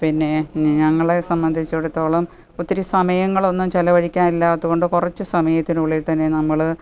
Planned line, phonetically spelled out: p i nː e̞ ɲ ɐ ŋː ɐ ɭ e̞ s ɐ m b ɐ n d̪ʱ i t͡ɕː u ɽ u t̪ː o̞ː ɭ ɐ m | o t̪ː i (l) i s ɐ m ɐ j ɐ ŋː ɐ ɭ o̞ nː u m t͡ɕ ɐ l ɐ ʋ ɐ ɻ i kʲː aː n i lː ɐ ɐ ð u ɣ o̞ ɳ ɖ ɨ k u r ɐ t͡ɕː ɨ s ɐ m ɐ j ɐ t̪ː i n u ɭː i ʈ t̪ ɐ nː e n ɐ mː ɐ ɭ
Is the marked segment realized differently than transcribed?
yes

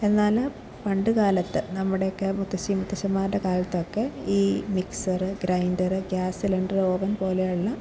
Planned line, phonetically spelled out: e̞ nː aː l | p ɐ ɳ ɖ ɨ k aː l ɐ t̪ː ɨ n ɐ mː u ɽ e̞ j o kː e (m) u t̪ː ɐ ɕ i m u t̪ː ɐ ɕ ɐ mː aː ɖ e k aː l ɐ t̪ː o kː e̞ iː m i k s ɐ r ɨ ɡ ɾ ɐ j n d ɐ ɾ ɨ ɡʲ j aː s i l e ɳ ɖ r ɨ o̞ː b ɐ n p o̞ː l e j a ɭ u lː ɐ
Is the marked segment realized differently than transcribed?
no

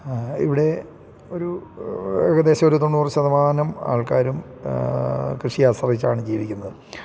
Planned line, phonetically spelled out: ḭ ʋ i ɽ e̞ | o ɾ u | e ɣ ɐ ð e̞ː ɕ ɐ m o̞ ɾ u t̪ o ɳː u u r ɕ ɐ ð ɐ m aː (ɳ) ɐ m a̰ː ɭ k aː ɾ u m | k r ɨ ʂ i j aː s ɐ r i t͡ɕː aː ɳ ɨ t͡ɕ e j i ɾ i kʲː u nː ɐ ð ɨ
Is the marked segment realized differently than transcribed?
yes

